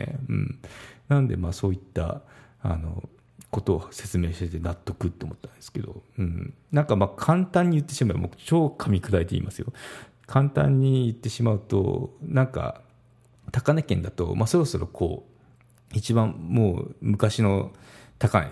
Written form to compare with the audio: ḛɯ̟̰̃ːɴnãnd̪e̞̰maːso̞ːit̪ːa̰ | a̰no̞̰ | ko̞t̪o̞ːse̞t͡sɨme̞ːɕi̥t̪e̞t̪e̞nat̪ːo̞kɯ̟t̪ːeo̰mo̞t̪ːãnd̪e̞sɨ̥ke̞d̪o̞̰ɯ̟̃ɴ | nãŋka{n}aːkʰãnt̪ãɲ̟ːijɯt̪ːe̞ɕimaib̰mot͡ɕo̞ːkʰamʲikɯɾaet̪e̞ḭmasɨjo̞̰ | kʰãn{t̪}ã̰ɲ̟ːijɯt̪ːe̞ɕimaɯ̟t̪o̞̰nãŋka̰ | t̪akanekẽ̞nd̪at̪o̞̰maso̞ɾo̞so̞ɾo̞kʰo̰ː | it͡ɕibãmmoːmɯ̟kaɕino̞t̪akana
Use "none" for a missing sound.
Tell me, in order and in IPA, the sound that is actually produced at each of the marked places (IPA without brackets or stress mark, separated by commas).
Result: m, t̪